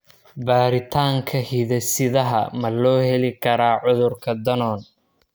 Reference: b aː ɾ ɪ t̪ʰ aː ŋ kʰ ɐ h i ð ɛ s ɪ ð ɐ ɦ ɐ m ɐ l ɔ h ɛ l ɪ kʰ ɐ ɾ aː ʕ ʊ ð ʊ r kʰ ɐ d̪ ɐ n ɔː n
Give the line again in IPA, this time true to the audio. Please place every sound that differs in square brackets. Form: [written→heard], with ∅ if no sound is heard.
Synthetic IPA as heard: b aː ɾ ɪ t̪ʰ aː ŋ kʰ ɐ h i ð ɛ s ɪ ð ɐ ɦ ɐ m ɐ l [ɔ→ɔː] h ɛ l ɪ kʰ ɐ ɾ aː ʕ ʊ ð ʊ r kʰ ɐ d̪ ɐ n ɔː n